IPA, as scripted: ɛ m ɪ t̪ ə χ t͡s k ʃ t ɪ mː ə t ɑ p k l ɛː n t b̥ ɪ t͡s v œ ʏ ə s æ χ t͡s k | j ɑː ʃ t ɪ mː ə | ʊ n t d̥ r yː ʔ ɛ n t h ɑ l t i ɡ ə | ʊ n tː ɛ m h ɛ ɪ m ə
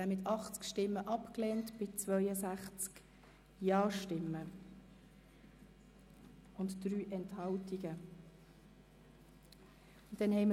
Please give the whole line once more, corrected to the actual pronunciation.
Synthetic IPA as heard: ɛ m ɪ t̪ ɑ χ t͡s k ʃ t ɪ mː ə ʔ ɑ p k l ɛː n t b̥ ɪ t͡s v œ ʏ ə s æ χ t͡s k | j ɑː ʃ t ɪ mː ə | ʊ n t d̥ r yː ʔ ɛ n t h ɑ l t i ɡ ə | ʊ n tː ɛ n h ɛ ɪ m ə